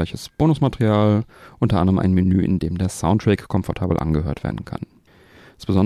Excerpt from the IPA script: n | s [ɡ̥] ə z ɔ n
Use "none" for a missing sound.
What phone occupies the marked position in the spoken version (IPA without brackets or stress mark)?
b̥